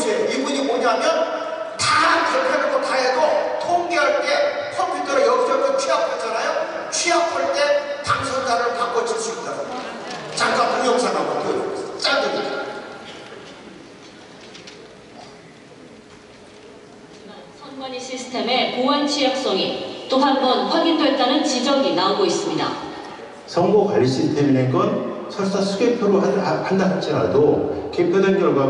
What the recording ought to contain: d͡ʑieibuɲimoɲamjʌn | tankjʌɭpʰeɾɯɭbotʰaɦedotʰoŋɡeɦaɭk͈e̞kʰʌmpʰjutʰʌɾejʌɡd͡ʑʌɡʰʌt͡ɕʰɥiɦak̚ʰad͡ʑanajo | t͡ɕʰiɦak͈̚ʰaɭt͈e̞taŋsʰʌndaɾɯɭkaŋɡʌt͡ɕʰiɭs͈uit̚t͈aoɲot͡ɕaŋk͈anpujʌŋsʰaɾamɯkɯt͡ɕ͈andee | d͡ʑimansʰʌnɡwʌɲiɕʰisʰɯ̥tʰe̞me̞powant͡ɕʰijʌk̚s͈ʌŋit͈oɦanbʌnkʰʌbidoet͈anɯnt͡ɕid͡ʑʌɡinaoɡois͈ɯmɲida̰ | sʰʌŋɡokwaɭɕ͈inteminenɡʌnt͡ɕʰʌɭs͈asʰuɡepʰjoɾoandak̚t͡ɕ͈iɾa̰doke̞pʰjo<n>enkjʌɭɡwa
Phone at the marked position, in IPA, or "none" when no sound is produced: d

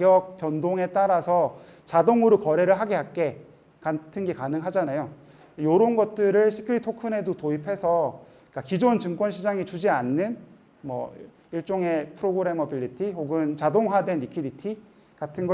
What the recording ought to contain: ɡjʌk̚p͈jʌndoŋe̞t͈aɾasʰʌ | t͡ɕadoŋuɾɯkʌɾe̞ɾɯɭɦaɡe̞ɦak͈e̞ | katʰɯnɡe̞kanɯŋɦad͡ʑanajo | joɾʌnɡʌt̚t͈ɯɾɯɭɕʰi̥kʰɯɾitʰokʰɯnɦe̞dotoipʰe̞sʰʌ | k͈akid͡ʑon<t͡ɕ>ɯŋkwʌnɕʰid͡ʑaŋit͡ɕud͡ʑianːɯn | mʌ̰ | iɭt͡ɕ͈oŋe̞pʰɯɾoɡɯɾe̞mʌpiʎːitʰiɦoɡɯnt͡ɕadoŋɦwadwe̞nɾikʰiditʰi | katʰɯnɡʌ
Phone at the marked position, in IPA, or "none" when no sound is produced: t͡ɕ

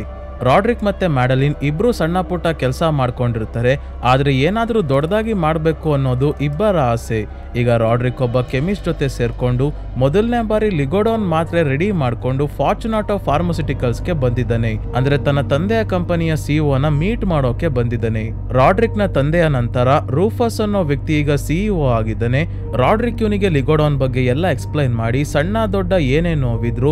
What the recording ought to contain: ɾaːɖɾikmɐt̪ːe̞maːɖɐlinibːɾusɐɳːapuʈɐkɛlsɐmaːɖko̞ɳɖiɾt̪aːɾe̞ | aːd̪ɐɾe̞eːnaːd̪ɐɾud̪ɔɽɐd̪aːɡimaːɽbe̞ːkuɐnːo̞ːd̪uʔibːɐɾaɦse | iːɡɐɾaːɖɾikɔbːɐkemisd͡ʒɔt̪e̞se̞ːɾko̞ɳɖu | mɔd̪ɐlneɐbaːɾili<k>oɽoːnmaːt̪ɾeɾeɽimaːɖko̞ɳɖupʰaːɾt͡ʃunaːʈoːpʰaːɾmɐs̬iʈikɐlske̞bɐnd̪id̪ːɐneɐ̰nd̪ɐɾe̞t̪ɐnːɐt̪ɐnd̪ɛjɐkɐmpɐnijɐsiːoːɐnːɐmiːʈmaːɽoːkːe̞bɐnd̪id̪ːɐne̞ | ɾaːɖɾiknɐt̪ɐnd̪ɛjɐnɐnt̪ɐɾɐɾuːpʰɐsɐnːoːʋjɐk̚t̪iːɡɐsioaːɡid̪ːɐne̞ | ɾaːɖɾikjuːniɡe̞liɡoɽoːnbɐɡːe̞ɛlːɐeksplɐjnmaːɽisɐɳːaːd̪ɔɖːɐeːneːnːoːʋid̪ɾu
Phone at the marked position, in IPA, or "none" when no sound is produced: ɡ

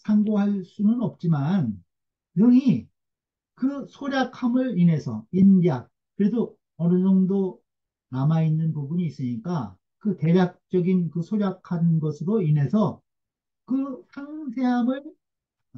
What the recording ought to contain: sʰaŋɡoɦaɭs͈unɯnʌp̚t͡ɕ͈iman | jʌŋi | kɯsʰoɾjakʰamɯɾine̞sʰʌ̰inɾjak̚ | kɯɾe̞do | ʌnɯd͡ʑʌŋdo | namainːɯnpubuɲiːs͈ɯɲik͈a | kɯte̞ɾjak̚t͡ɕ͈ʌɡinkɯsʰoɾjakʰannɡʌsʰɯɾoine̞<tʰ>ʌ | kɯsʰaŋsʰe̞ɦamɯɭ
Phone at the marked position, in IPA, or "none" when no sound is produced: sʰ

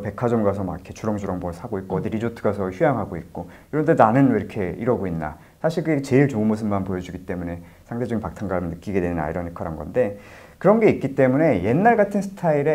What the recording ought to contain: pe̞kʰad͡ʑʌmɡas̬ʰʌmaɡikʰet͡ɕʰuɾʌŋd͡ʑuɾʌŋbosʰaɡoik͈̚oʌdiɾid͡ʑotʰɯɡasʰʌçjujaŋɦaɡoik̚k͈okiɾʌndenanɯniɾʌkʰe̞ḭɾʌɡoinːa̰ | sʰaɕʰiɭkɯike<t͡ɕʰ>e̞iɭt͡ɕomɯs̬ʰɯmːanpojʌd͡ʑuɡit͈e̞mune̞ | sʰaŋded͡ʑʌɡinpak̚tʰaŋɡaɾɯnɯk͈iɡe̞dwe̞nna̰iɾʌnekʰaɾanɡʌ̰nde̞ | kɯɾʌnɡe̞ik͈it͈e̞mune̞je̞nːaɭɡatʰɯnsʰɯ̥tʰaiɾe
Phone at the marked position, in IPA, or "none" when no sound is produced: t͡ɕ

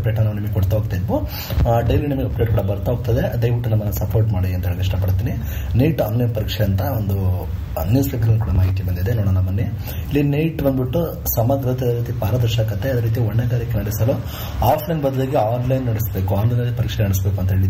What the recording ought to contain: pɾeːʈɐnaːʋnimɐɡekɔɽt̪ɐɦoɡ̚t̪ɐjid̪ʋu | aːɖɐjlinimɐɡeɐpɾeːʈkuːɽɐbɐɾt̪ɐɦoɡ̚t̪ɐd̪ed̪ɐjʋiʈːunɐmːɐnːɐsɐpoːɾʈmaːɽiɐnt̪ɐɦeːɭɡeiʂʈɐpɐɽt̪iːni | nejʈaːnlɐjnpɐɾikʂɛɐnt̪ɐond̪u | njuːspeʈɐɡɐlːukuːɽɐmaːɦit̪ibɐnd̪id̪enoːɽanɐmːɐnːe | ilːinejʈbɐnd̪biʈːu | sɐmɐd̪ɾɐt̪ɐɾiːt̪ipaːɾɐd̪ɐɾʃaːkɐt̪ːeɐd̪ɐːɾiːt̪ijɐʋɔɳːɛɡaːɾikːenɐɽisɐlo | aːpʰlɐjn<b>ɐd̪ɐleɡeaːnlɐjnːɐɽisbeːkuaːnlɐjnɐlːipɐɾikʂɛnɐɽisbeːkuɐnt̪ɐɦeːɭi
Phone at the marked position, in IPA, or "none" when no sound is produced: b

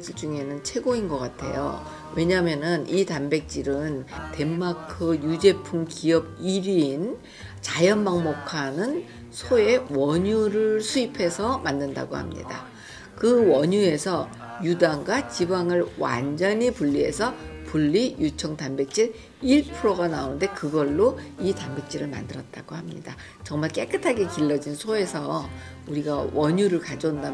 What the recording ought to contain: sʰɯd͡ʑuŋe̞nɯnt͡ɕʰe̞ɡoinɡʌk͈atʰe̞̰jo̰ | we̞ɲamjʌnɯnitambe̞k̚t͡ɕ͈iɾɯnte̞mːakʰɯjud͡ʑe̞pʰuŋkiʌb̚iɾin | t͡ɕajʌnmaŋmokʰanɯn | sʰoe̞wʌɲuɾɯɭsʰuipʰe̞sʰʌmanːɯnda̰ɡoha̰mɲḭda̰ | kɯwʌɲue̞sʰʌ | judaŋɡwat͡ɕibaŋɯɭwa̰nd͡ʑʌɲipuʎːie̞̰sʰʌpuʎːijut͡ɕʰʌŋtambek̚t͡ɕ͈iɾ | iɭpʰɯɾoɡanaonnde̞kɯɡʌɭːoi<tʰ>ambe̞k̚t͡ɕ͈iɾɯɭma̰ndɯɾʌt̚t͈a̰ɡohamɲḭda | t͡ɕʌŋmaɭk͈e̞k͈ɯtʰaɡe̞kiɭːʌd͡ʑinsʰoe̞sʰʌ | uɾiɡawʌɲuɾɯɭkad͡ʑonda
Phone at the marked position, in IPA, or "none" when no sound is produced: t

